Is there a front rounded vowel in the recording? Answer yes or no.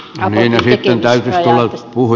yes